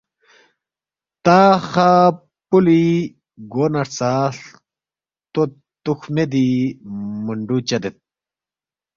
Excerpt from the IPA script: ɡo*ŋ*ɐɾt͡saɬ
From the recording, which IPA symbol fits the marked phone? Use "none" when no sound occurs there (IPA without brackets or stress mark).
n